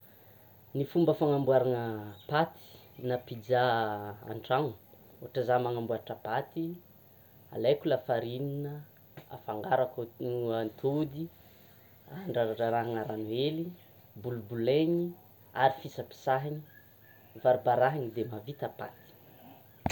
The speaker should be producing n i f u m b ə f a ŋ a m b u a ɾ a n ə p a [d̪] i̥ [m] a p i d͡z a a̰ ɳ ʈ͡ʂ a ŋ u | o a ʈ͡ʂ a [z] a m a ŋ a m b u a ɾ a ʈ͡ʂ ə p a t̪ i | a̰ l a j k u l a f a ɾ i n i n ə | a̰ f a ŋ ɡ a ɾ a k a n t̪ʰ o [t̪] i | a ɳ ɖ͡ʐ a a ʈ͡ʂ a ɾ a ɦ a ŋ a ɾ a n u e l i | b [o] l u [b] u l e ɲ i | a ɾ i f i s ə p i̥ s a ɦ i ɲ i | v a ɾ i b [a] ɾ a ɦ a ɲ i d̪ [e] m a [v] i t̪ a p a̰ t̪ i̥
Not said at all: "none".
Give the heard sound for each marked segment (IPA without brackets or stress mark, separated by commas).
t̪, n, z, d̪, u, b, a, e, v